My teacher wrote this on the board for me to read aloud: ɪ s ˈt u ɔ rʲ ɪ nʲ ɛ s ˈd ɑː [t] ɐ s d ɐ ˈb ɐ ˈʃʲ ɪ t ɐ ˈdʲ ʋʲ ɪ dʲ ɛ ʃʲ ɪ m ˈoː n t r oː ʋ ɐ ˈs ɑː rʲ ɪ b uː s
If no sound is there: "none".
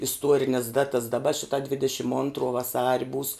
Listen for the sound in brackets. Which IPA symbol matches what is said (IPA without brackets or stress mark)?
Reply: t